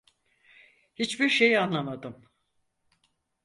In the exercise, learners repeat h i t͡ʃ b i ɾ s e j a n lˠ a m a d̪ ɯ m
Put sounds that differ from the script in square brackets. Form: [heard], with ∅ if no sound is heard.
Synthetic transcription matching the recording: h i t͡ʃ b i ɾ [ʃ] e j a n lˠ a m a d̪ ɯ m